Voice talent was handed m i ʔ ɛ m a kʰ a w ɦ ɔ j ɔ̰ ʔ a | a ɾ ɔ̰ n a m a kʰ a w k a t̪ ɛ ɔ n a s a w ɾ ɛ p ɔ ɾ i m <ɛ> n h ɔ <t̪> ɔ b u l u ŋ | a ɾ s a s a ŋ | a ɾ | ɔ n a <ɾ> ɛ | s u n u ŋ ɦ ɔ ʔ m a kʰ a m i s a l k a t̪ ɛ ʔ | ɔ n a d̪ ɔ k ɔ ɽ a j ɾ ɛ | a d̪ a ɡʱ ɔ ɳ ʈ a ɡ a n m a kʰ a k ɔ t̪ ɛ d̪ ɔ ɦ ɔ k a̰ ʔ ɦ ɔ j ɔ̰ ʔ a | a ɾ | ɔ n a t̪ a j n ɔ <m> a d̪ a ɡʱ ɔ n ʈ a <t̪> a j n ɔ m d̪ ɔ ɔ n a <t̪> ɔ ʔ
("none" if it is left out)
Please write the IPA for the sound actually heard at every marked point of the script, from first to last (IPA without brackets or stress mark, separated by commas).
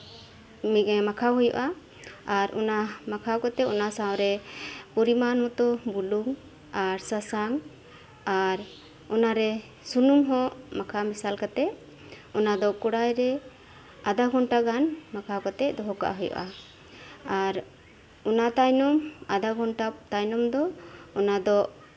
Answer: a, t̪, ɾ, m, t̪, d̪